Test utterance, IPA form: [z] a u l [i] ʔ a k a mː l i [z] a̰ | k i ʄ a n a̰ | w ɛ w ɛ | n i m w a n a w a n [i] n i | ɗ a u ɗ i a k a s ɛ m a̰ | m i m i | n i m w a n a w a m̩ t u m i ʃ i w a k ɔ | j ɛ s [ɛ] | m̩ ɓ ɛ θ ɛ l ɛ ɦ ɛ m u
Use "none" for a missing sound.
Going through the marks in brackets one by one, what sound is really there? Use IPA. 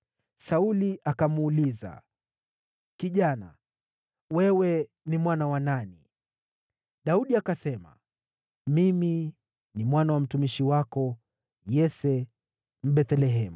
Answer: s, i, z, a, ɛ

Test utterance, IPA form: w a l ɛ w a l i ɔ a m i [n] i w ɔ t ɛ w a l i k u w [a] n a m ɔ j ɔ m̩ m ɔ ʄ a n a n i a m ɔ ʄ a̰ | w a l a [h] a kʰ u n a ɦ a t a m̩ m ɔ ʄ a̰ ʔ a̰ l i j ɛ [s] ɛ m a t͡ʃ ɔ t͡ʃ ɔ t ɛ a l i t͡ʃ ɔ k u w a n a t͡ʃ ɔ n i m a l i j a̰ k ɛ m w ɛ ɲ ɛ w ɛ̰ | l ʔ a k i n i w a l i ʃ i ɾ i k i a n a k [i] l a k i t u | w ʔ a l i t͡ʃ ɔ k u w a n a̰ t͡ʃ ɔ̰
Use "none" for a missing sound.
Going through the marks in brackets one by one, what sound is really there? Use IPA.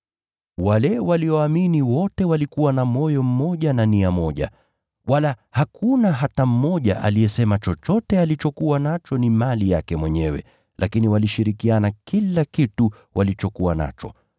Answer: n, a, h, s, i

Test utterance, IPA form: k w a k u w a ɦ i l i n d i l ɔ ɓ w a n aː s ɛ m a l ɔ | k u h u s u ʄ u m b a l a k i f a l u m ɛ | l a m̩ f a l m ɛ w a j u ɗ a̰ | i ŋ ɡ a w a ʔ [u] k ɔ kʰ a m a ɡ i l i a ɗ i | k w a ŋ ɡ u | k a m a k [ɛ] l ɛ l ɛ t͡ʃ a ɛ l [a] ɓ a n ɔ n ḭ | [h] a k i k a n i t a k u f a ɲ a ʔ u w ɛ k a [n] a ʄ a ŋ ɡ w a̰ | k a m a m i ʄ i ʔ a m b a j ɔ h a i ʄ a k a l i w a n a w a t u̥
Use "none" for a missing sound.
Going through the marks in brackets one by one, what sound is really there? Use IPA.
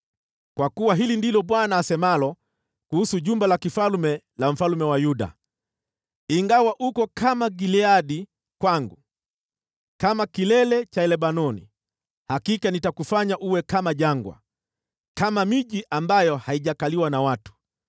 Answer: u, i, ɛ, h, m

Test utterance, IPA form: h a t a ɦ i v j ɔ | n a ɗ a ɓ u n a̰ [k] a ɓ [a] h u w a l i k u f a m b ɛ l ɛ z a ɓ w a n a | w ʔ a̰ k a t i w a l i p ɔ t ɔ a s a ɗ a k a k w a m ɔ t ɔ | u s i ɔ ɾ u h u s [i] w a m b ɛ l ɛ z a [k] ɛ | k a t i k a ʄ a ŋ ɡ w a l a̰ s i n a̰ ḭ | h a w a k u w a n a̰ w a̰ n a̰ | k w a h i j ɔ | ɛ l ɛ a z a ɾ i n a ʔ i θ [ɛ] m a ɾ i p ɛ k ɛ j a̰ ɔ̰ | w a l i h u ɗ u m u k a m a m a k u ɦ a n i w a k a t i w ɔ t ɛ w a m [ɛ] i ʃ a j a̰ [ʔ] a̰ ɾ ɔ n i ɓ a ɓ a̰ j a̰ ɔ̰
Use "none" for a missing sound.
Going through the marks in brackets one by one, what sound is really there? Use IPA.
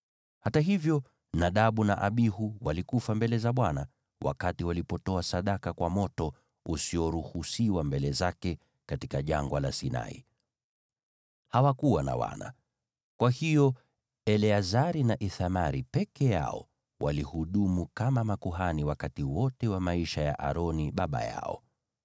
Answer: ʔ, i, i, k, a, a, ʔ

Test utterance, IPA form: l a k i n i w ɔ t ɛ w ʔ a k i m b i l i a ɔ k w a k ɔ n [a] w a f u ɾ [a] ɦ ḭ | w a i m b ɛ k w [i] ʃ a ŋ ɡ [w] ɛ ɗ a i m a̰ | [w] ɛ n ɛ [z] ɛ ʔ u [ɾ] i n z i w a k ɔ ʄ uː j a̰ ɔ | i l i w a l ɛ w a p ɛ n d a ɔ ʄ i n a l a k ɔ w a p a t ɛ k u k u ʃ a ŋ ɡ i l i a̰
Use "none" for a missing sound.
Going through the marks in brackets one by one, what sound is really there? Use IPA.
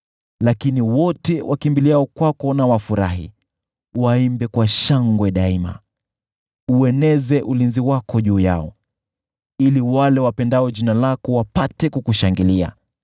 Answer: a, a, a, w, u, z, l

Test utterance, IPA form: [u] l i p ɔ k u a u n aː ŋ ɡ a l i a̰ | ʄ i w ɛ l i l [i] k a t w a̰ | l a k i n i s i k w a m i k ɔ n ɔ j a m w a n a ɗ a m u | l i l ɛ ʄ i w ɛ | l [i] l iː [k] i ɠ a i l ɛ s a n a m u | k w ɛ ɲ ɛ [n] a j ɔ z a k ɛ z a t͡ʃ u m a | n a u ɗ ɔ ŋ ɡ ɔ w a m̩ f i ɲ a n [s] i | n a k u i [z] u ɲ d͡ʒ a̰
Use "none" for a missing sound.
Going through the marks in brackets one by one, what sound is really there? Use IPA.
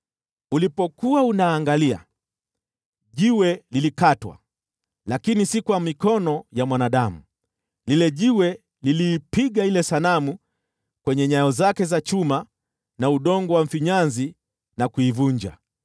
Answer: u, i, i, p, ɲ, z, v

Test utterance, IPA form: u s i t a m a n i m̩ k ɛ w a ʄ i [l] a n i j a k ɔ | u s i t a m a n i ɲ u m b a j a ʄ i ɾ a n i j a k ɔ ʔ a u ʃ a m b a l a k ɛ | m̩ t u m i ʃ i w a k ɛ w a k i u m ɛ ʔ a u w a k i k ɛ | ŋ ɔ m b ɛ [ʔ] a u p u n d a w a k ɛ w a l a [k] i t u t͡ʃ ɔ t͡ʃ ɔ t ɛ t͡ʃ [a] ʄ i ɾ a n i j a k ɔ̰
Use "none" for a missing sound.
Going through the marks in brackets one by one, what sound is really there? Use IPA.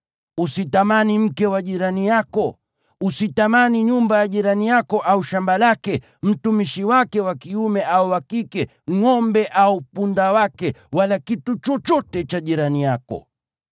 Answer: ɾ, ʔ, k, a

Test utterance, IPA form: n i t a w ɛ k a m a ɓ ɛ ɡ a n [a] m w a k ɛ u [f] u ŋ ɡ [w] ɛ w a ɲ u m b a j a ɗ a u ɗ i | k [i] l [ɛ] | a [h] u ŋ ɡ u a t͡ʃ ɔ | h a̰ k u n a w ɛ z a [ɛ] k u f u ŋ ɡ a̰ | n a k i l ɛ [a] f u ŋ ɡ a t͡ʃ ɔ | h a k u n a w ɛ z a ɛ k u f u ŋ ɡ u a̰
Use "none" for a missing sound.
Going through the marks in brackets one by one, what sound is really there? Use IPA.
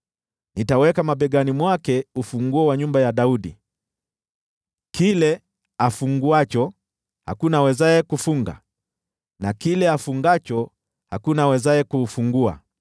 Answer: i, f, u, i, ɛ, f, ɛ, a

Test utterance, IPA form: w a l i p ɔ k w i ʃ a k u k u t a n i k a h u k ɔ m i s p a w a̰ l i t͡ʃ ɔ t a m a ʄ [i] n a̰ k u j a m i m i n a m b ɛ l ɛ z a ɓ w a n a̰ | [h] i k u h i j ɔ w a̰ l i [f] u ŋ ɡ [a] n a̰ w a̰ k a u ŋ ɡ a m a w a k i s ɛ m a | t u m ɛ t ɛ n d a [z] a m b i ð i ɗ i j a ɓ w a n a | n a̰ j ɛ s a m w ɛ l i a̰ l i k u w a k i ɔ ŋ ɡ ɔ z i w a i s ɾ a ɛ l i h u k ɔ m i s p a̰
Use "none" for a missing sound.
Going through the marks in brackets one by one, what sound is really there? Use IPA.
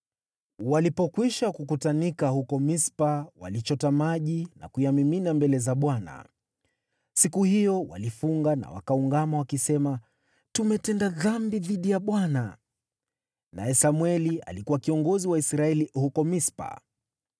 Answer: i, s, f, a, ð

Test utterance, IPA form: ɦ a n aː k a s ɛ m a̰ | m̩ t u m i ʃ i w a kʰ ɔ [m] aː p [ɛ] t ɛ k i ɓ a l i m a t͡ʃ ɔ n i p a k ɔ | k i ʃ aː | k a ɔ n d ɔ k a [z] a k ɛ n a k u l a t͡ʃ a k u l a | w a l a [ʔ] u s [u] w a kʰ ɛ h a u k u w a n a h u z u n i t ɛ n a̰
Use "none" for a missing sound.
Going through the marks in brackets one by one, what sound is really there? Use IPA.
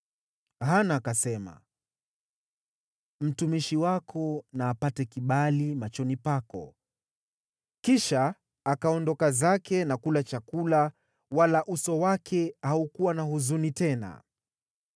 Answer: n, a, z, ʔ, ɔ

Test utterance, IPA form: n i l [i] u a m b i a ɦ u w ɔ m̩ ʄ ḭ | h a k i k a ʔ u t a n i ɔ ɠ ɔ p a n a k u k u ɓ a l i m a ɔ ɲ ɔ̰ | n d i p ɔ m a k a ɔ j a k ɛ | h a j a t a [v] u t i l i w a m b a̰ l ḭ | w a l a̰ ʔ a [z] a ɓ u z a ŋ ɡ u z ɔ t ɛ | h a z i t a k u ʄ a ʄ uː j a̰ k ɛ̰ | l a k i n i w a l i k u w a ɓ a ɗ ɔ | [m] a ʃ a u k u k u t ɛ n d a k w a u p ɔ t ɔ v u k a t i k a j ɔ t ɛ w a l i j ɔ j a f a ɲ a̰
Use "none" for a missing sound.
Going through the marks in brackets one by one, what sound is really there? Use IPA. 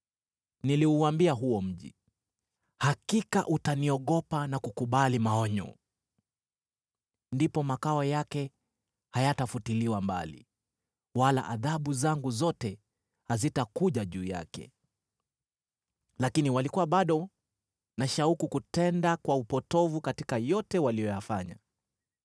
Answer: i, f, ð, n

